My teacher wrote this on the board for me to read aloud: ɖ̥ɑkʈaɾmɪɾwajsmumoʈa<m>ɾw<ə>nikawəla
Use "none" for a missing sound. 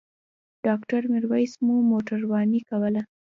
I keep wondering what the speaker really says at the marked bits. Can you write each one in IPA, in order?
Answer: none, ɑ

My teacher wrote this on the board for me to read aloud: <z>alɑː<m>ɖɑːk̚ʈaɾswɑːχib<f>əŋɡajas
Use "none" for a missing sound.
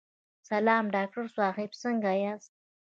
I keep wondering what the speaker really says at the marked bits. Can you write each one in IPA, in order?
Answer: s, m, s

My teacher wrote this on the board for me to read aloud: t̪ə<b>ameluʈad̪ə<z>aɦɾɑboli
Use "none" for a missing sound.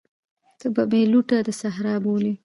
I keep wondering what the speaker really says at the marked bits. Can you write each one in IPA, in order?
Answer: b, s

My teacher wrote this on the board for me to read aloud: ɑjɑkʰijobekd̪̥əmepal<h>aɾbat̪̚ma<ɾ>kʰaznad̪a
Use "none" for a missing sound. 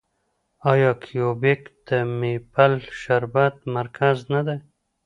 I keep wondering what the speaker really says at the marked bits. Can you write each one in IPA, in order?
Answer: ʃ, ɾ

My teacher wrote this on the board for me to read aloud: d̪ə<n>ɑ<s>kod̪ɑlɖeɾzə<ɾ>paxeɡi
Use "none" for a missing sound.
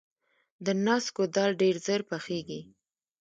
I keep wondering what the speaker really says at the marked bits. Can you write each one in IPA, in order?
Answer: n, s, ɾ

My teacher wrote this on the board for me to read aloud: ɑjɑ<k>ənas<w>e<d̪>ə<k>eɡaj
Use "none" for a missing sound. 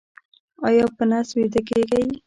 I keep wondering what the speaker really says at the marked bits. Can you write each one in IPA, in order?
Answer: p, w, d̪, k

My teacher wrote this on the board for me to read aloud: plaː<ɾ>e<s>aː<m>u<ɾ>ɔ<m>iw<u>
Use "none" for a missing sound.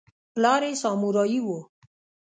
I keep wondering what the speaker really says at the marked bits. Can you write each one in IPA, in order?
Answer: ɾ, s, m, ɾ, none, o

